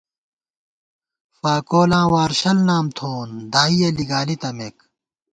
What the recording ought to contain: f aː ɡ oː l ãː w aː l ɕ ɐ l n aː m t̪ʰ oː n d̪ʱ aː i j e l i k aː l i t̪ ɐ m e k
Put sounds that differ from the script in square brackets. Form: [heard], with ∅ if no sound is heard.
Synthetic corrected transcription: f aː [k] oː l ãː w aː [ɾ] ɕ ɐ l n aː m t̪ʰ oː n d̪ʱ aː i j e l i [ɡ] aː l i t̪ ɐ m e k